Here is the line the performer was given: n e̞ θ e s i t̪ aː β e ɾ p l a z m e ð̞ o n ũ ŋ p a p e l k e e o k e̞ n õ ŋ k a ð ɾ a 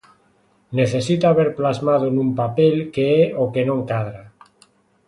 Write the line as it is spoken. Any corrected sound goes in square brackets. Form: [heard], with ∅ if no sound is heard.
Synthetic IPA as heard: n e̞ θ e s i t̪ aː β e ɾ p l a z m [a] ð̞ o n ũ [m] p a p e l k e e o k e̞ n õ ŋ k a ð ɾ a